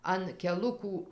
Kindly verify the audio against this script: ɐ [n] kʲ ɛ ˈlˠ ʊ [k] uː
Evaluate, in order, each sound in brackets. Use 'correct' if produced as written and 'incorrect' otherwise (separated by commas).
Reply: correct, correct